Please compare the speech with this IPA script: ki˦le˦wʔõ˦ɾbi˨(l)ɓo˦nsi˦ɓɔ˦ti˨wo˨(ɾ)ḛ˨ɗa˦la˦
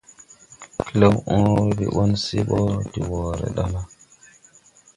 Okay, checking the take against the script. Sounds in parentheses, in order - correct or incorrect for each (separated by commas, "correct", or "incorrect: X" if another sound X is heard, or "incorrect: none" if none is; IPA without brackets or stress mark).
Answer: incorrect: none, correct